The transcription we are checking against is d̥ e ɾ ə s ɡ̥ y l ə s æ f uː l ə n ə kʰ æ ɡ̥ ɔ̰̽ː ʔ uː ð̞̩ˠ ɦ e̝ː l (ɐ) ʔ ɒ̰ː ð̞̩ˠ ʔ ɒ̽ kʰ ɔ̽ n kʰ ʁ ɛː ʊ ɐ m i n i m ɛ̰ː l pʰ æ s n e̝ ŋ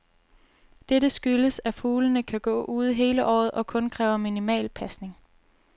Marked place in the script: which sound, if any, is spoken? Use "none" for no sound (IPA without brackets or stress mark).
ə